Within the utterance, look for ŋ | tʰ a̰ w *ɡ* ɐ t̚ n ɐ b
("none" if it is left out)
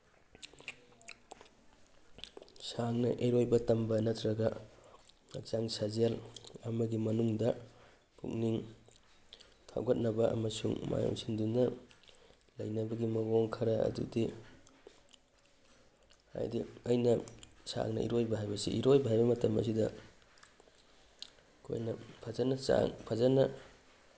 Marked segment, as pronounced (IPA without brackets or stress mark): ɡ